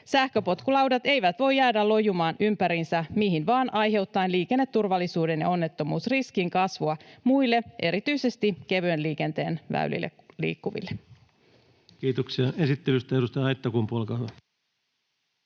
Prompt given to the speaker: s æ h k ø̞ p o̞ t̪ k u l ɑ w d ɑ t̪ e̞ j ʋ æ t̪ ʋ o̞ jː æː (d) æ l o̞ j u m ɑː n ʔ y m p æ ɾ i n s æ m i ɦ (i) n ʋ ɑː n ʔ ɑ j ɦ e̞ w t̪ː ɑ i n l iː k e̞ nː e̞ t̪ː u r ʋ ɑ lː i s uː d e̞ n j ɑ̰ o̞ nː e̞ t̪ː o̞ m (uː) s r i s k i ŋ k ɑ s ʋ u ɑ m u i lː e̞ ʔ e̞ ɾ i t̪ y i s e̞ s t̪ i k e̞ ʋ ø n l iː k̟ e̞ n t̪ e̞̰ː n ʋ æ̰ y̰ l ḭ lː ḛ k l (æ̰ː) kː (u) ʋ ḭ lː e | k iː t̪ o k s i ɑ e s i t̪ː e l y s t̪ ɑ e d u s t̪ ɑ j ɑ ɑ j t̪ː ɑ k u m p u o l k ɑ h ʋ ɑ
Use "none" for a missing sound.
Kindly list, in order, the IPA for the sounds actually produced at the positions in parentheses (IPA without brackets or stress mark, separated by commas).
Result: d, i, uː, ḭː, u